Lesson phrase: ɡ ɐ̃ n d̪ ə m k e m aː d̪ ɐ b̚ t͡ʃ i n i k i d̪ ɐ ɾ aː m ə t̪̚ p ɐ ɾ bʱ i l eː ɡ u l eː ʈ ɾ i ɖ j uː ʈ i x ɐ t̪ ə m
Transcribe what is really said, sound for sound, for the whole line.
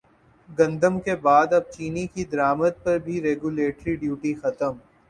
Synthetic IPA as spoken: ɡ ɐ̃ n d̪ ə m k e b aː d̪ ɐ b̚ t͡ʃ iː n i k i d̪ ɐ ɾ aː m ə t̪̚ p ɐ ɾ bʱ i ɾ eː ɡ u l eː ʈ ɾ i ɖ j uː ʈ i x ɐ t̪ ə m